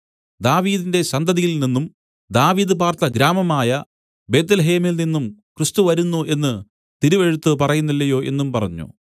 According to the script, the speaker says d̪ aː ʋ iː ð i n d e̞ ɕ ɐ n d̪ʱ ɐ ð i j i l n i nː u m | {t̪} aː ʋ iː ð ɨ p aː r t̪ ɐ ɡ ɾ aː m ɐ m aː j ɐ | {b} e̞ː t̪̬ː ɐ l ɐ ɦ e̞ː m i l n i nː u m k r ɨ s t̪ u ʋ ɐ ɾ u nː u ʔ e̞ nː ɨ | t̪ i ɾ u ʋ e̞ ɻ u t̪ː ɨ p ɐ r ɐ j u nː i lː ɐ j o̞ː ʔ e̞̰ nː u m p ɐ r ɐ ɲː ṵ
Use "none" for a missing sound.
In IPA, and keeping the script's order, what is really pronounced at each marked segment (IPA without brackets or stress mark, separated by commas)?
d̪, b